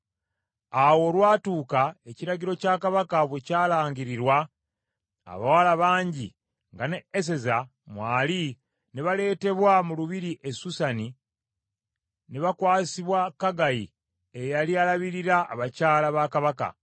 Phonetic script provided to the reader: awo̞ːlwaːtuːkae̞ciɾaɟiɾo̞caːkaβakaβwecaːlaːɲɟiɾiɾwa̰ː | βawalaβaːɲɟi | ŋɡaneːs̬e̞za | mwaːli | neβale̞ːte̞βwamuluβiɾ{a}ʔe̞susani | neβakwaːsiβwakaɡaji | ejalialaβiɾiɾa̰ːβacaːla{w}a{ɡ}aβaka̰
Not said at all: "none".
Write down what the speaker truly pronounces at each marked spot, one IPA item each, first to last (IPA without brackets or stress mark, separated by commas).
i, β, k